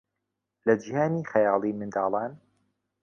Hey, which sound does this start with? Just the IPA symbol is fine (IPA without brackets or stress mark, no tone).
l